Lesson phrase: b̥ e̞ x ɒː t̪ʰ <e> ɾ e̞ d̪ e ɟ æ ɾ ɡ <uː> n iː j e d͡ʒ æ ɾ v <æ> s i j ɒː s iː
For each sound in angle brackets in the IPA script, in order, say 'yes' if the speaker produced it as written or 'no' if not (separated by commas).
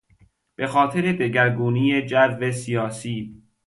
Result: yes, yes, no